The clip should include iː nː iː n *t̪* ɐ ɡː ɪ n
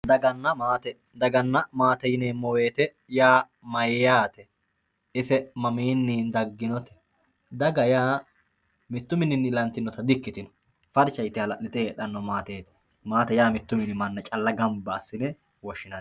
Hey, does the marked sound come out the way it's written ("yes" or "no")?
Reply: no